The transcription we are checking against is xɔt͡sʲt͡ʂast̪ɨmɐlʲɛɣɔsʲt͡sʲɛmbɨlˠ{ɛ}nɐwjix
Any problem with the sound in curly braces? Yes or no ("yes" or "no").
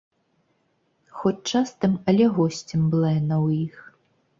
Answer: no